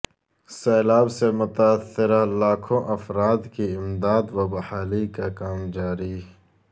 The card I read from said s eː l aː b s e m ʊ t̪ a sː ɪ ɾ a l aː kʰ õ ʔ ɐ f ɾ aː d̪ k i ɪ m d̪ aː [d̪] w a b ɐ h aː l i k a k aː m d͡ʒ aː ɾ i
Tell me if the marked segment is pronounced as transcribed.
yes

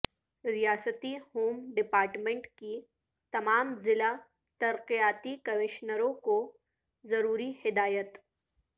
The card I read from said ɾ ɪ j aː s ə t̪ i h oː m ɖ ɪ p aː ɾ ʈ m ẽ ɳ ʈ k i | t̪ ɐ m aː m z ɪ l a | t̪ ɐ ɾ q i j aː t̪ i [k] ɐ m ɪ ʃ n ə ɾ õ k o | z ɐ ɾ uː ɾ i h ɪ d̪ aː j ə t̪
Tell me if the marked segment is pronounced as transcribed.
yes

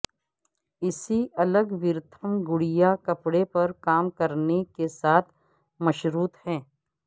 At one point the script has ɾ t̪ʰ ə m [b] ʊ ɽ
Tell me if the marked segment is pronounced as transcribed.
no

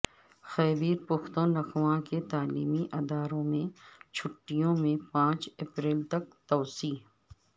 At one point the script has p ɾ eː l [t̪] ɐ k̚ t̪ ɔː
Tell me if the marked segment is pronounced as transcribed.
yes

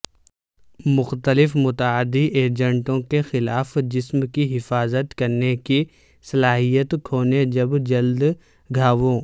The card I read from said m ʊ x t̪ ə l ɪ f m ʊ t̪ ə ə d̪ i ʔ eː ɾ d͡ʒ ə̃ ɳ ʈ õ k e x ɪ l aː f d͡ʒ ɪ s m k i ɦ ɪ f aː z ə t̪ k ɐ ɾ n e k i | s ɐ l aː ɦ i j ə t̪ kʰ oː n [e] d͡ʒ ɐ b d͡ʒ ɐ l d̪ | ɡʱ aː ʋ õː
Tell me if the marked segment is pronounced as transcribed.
yes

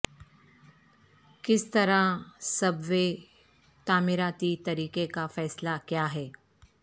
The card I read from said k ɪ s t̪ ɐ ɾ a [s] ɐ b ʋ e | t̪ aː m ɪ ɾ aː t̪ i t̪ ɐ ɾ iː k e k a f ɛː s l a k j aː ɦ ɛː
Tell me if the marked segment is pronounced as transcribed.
yes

